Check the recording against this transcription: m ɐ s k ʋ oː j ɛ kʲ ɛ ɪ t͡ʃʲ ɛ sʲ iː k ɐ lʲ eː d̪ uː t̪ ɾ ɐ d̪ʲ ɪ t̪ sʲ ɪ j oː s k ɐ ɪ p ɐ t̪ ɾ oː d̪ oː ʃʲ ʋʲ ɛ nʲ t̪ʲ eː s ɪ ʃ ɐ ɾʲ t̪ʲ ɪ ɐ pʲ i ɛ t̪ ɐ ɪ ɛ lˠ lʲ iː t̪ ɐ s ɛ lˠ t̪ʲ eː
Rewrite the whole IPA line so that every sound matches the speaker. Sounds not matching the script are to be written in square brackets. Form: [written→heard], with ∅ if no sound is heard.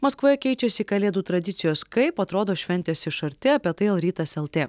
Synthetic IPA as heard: m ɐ s k ʋ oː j ɛ kʲ ɛ ɪ t͡ʃʲ ɛ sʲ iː k ɐ lʲ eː d̪ uː t̪ ɾ ɐ d̪ʲ ɪ t̪ sʲ ɪ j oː s k ɐ ɪ p ɐ t̪ ɾ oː d̪ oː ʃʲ ʋʲ ɛ nʲ t̪ʲ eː s ɪ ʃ ɐ ɾʲ t̪ʲ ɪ ɐ pʲ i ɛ t̪ ɐ ɪ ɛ lˠ [lʲ→ɾʲ] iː t̪ ɐ s ɛ lˠ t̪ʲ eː